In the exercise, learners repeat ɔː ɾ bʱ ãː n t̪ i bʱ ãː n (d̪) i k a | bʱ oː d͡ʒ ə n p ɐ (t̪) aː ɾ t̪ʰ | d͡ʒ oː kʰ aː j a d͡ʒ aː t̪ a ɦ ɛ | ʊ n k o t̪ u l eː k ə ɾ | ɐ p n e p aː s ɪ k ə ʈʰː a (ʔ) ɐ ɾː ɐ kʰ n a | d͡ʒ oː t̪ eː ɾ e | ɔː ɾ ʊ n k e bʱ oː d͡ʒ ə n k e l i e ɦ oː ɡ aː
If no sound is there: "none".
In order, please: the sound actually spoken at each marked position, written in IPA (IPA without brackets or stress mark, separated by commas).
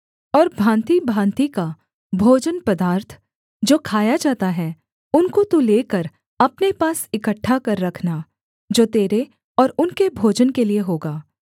t̪, d̪, k